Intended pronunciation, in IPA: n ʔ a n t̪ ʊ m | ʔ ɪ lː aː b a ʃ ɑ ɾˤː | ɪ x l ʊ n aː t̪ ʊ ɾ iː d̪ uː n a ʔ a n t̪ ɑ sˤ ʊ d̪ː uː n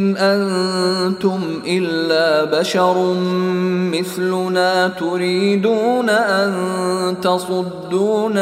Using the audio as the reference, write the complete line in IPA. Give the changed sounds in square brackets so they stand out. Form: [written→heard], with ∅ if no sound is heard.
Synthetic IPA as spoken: n ʔ a n t̪ ʊ m | ʔ ɪ lː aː b a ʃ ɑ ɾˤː | ɪ [x→θ] l ʊ n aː t̪ ʊ ɾ iː d̪ uː n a ʔ a n t̪ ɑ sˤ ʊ d̪ː uː n